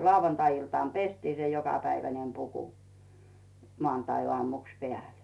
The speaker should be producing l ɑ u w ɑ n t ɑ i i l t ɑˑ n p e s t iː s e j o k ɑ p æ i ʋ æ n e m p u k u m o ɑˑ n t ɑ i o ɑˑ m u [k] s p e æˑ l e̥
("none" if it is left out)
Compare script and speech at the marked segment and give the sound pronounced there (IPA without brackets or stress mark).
k